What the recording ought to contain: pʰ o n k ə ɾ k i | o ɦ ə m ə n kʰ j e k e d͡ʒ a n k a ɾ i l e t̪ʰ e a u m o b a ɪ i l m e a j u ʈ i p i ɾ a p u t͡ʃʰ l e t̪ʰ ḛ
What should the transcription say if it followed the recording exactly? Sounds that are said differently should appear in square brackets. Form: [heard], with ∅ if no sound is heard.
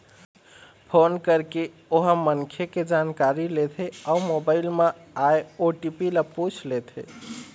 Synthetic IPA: pʰ o n k ə ɾ k [e] | o ɦ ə m ə n kʰ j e k e d͡ʒ a n k a ɾ i l e t̪ʰ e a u m o b a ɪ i l m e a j [o] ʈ i p i [l] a p u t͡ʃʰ l e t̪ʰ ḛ